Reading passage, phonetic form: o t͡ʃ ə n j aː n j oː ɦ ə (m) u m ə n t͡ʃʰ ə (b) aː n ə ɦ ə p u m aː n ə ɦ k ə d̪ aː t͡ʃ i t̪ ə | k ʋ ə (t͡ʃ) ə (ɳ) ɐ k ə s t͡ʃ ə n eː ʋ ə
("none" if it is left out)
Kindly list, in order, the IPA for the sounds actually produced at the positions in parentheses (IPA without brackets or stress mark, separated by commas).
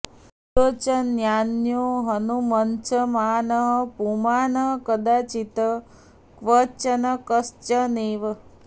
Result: n, m, t͡ʃ, n